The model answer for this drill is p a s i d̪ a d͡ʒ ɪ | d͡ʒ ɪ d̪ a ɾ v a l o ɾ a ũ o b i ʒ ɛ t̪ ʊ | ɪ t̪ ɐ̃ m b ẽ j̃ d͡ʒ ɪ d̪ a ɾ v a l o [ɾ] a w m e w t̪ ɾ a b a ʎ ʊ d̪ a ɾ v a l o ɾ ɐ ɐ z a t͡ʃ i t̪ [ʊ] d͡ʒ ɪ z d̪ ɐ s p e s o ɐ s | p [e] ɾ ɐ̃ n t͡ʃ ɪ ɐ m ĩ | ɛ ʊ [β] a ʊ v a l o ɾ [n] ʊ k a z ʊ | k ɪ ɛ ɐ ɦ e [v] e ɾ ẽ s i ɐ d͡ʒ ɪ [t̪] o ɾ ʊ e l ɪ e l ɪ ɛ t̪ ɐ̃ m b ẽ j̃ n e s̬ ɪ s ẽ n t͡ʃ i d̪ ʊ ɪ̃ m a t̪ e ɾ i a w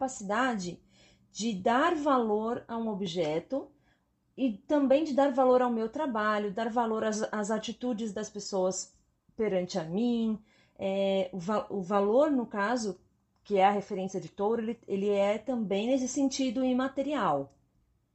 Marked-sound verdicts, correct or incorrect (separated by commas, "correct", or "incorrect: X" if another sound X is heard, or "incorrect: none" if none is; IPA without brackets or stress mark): correct, incorrect: u, correct, incorrect: v, correct, incorrect: f, correct